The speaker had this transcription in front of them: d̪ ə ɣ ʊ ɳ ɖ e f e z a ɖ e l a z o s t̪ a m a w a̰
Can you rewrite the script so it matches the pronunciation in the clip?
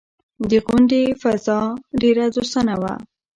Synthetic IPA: d̪ ə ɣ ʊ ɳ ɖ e f a z ɑ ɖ e ɾ a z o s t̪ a n a w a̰